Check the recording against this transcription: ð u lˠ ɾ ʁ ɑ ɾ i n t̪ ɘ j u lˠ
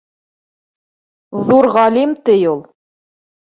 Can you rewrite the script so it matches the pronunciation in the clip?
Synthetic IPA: ð u ɾ ʁ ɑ l i m t̪ ɘ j u lˠ